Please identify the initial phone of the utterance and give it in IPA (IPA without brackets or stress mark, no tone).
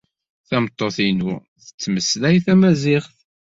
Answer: θ